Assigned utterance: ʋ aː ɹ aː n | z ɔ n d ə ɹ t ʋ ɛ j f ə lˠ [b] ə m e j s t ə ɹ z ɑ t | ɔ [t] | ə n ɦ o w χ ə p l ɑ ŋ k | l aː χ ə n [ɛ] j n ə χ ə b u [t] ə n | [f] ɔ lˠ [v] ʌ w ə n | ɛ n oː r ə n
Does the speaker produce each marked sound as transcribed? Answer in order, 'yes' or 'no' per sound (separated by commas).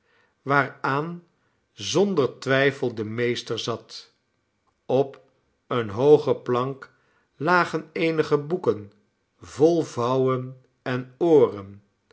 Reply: no, no, no, no, no, yes